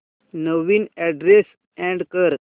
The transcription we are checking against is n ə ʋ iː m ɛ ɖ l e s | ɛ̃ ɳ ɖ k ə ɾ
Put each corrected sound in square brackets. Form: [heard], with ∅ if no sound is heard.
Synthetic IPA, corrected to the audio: n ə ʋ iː [n] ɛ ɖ [ɾ] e s | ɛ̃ ɳ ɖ k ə ɾ